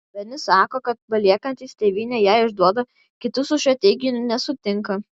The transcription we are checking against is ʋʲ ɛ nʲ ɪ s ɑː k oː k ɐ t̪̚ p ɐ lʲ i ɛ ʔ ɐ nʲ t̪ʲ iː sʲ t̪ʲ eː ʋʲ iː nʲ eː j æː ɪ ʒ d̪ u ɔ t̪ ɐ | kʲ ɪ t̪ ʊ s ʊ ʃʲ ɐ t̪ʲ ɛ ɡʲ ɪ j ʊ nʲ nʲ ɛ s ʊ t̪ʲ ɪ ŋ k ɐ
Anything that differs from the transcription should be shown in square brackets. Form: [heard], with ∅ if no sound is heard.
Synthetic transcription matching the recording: ʋʲ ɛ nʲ ɪ s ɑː k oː k ɐ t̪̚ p ɐ lʲ i ɛ [k] ɐ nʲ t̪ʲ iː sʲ t̪ʲ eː ʋʲ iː nʲ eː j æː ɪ ʒ d̪ u ɔ [d̪] ɐ | kʲ ɪ t̪ ʊ s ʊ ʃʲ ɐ t̪ʲ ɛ ɡʲ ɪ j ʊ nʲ nʲ ɛ s ʊ t̪ʲ ɪ ŋ k ɐ